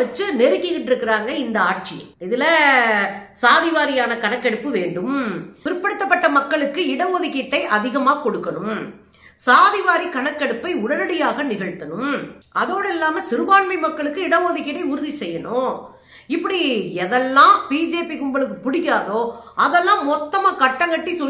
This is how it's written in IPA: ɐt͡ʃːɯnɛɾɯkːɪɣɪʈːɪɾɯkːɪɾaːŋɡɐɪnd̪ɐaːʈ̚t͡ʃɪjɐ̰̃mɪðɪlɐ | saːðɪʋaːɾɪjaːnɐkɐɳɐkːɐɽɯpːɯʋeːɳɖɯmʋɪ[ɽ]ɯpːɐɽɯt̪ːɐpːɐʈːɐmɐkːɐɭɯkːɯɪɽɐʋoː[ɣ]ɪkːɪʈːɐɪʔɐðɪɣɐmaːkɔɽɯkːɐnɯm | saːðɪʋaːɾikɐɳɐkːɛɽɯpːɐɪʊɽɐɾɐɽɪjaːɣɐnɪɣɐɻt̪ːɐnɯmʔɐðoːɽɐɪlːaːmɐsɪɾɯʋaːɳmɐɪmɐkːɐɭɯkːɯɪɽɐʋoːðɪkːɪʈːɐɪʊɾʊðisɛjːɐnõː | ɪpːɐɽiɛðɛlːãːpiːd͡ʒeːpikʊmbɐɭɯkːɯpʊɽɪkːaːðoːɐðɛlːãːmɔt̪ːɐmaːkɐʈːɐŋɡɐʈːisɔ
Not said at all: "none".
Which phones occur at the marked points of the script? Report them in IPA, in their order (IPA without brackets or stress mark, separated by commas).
ɾ, ð